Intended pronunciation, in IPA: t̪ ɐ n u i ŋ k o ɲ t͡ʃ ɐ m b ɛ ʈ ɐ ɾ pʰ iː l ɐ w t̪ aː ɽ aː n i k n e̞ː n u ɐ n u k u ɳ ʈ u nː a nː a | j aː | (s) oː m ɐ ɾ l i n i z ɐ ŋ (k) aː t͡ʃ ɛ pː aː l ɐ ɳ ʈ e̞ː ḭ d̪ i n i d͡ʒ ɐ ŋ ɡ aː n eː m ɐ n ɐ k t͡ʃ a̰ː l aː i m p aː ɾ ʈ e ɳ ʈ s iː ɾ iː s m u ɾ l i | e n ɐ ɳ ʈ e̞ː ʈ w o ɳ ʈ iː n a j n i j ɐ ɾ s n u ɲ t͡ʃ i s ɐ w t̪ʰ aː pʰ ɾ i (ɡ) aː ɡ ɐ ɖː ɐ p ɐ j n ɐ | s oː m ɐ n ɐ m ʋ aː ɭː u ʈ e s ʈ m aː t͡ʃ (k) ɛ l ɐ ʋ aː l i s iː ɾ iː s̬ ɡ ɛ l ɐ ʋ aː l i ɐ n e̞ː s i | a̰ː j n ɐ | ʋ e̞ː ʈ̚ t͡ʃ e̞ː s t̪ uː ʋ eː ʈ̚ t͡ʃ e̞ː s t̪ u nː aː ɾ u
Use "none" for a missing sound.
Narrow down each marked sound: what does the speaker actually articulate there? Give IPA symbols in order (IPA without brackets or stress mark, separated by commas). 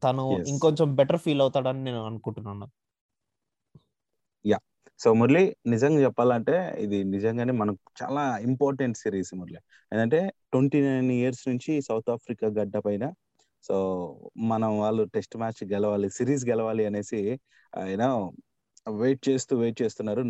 s, ɡ, k, ɡ